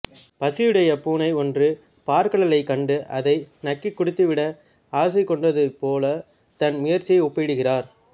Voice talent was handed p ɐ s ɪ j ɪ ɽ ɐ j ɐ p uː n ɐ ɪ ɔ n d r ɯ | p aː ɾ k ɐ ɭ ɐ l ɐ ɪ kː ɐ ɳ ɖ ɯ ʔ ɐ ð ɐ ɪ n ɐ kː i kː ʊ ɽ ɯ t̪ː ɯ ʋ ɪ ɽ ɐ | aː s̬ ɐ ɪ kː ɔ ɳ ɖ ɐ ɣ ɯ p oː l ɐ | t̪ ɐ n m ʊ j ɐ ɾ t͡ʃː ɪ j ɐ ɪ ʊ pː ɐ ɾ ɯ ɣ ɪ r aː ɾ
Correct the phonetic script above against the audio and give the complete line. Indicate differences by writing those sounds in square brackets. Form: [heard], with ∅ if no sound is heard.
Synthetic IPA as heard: p ɐ s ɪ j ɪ ɽ ɐ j ɐ p uː n ɐ ɪ ɔ n d r ɯ | p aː ɾ k ɐ ɭ ɐ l ɐ ɪ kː ɐ ɳ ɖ ɯ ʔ ɐ ð ɐ ɪ n ɐ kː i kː ʊ ɽ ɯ t̪ː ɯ ʋ ɪ ɽ ɐ | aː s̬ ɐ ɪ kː ɔ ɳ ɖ ɐ [ð] ɯ p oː l ɐ | t̪ ɐ n m ʊ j ɐ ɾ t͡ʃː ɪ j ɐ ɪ ʊ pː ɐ [ɽ] ɯ ɣ ɪ r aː ɾ